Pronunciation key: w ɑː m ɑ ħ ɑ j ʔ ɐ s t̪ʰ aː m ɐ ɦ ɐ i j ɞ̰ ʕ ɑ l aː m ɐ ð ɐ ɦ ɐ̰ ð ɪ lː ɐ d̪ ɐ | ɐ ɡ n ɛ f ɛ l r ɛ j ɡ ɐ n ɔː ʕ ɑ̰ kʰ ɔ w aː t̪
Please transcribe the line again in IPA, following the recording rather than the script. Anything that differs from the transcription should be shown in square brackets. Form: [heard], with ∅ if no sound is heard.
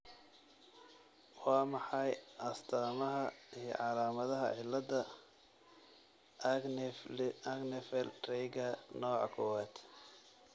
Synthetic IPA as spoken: w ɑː m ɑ ħ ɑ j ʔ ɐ s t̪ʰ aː m ɐ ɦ ɐ i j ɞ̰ ʕ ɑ l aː m ɐ ð ɐ ɦ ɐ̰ [ʕ] ɪ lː ɐ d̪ ɐ | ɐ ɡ n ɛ f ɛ l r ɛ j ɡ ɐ n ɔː ʕ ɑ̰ kʰ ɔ w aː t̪